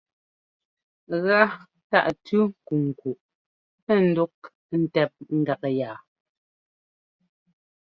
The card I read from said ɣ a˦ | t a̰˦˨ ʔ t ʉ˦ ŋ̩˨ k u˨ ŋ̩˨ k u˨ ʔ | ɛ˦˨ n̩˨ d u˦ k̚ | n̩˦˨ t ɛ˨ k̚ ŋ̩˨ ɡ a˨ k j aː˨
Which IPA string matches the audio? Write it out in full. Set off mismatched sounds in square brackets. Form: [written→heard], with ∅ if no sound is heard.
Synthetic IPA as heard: ɣ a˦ | t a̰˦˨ ʔ t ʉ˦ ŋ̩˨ k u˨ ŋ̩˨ k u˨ ʔ | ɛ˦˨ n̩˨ d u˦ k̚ | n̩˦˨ t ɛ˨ [k̚→p̚] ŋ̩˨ ɡ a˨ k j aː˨